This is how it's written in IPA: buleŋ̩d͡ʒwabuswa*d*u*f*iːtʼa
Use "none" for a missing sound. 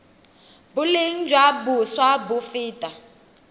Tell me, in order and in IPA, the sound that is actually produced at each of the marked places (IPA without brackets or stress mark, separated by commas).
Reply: b, f